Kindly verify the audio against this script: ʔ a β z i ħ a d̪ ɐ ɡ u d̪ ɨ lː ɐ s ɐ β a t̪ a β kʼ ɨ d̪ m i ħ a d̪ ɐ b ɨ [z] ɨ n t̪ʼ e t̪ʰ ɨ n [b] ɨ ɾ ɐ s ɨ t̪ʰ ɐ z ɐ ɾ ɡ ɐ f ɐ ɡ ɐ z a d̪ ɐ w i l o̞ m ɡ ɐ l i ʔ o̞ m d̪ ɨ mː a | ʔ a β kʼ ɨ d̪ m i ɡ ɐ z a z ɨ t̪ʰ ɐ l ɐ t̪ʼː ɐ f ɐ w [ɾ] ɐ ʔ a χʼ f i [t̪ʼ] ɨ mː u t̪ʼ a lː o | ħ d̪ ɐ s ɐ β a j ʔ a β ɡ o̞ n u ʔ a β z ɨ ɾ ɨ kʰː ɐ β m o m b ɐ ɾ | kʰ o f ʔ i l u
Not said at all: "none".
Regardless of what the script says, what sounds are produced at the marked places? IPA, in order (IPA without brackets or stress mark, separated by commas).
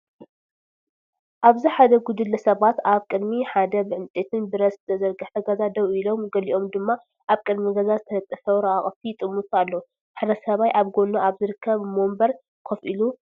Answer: ʕ, b, ɾ, t̪ʼ